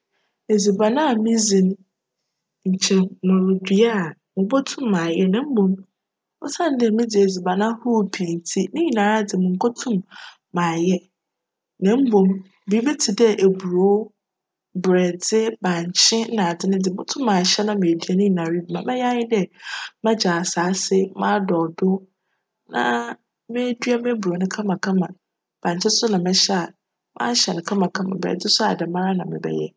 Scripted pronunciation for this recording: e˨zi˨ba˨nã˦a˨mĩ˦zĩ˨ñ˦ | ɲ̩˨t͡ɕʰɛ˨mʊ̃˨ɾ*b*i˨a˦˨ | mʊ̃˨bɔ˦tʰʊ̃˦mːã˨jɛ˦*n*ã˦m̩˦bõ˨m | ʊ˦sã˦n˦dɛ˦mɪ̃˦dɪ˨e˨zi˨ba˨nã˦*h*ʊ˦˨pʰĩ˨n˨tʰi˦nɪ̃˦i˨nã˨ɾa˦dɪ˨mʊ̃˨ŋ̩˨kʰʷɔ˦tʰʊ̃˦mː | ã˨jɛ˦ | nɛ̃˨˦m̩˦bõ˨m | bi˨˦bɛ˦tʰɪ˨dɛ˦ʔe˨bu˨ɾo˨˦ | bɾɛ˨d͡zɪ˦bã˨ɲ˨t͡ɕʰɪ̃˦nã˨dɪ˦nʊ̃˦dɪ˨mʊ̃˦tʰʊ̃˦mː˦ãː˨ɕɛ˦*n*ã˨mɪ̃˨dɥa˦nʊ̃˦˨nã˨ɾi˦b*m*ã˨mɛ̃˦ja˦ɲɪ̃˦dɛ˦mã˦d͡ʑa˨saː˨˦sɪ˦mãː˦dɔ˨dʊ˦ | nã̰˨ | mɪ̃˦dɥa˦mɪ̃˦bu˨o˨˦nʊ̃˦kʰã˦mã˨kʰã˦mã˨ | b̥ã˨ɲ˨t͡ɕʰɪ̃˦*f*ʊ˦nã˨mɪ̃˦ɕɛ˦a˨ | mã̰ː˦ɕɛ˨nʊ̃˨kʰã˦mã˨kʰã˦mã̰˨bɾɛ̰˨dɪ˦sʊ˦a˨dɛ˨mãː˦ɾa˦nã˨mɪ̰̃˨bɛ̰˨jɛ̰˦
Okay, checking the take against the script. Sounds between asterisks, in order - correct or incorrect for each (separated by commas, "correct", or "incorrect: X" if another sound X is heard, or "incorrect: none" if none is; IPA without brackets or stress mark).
incorrect: d, correct, correct, correct, correct, incorrect: s